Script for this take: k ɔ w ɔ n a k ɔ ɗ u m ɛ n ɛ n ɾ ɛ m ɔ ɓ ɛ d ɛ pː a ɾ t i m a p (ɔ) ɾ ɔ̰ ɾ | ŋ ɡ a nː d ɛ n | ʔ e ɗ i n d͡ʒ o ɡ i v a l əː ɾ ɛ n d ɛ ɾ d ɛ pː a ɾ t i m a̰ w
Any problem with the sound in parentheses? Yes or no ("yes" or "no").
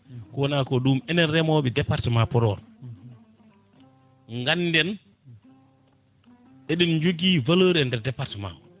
no